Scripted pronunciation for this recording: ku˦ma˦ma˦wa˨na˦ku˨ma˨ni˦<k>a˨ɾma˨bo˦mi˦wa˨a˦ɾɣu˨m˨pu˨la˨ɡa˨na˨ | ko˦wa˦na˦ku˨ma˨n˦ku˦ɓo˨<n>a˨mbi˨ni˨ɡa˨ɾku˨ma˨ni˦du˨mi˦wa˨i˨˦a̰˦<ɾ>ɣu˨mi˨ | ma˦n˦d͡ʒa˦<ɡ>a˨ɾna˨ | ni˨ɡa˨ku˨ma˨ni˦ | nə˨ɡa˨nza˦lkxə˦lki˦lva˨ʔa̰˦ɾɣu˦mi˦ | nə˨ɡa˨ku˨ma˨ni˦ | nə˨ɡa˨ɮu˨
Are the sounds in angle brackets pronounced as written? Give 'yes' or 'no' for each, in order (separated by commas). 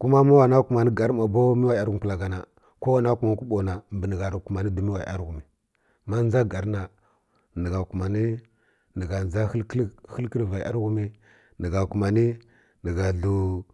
no, yes, yes, yes